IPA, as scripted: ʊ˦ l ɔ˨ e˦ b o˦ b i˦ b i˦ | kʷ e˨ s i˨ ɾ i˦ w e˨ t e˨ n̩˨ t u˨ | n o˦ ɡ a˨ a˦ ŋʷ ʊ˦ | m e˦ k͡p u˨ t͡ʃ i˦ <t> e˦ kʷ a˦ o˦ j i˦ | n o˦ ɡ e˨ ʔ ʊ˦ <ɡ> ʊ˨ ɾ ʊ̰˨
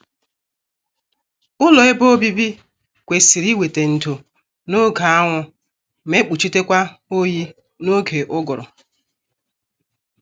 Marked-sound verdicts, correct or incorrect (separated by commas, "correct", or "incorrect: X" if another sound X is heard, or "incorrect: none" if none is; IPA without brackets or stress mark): correct, correct